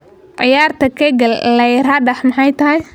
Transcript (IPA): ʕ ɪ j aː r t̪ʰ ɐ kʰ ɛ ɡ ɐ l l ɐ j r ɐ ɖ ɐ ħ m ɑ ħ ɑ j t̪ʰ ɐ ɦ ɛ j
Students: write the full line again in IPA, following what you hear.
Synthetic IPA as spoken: ʕ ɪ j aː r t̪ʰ ɐ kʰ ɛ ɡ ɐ l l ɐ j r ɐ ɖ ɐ ħ m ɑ ħ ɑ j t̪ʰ ɐ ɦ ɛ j